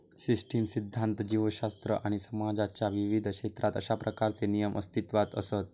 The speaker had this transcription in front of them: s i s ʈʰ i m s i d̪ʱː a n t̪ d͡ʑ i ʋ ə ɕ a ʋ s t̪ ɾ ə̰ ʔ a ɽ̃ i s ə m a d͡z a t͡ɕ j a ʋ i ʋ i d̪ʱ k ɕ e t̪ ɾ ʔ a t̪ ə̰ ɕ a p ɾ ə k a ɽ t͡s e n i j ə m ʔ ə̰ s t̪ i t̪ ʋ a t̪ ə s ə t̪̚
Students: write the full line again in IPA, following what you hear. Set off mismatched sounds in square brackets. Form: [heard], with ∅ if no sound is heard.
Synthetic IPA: s i s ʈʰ i m s i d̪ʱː a n t̪ d͡ʑ i ʋ ə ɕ a [∅] s t̪ ɾ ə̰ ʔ a ɽ̃ i s ə m a d͡z a t͡ɕ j a ʋ i ʋ i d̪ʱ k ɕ e t̪ ɾ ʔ a t̪ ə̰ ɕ a p ɾ ə k a [ɾ] t͡s e n i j ə m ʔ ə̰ s t̪ i t̪ ʋ a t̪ ə s ə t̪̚